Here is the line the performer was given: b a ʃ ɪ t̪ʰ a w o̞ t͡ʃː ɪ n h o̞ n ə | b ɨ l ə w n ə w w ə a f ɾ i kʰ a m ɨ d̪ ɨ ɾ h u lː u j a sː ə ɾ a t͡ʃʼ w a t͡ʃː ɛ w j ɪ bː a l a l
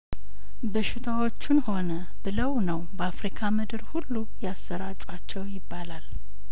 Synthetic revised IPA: b ə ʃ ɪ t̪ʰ a w o̞ t͡ʃː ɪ n h o̞ n ə | b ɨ l ə w n ə w b ə a f ɾ i kʰ a m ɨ d̪ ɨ ɾ h u lː u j a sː ə ɾ a t͡ʃʼ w a t͡ʃː ɛ w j ɪ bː a l a l